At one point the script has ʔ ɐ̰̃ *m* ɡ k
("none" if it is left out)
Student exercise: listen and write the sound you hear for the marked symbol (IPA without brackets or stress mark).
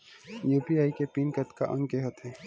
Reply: ŋ